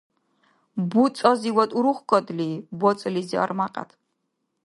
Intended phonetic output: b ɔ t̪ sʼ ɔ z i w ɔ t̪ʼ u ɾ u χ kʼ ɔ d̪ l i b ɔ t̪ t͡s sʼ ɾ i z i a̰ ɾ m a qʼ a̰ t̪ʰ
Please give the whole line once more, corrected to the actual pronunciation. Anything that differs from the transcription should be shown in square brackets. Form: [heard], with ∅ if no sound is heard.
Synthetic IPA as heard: b [u] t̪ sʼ ɔ z i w ɔ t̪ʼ u ɾ u χ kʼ ɔ d̪ l i b ɔ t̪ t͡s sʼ [l] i z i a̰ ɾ m a qʼ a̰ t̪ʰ